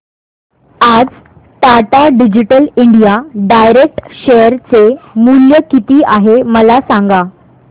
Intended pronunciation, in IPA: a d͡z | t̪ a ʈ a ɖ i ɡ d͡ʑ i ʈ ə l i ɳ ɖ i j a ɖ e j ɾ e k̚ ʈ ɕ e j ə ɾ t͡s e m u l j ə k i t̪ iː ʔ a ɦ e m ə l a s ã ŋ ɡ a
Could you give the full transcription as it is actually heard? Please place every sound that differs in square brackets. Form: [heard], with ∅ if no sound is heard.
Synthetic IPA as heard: a d͡z | t̪ a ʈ a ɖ i [∅] d͡ʑ i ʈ ə l i ɳ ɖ i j a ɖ [a] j ɾ e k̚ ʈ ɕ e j ə ɾ t͡s e m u l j ə k i t̪ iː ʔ a ɦ e m ə l a s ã ŋ ɡ a